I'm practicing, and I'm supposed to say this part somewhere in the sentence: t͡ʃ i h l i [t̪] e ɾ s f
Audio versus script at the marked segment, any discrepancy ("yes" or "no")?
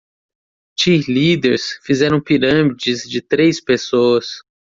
yes